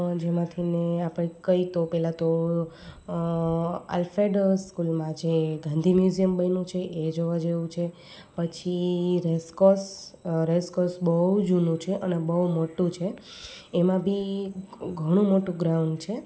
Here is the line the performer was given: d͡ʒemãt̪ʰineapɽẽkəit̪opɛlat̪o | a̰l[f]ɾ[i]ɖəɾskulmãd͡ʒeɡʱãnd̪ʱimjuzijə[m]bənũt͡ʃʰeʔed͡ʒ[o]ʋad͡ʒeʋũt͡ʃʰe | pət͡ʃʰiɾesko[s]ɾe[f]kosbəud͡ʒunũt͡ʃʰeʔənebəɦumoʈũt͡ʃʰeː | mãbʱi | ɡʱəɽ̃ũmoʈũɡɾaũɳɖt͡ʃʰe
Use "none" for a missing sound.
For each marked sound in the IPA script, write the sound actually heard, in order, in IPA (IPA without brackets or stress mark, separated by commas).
f, e, m, o, s, s